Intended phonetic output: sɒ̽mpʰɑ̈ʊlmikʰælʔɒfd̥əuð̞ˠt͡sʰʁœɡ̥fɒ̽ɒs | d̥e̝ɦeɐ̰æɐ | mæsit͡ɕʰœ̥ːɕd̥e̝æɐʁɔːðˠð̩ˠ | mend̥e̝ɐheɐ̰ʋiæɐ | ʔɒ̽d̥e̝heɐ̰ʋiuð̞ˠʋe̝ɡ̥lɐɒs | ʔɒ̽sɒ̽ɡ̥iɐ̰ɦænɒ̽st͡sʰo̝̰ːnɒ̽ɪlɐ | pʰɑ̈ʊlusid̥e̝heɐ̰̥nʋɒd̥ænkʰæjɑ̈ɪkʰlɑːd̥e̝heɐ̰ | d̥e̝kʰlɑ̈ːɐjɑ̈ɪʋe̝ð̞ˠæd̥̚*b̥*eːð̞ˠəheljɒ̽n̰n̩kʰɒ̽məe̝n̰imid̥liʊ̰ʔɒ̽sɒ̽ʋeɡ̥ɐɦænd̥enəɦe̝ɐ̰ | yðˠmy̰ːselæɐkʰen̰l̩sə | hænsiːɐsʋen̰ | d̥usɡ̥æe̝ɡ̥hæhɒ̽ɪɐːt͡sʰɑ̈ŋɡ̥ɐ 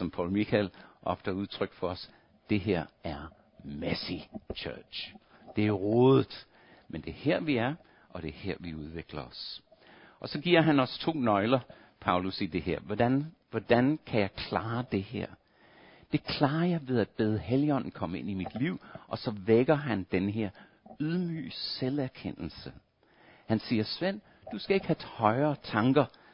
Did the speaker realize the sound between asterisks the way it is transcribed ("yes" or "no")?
yes